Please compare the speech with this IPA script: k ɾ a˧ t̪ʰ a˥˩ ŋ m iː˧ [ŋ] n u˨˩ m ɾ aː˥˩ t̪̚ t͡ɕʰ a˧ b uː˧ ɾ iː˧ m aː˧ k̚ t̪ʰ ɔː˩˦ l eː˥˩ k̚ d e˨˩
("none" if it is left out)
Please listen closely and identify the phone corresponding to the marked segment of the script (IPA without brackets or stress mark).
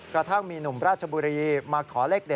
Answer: none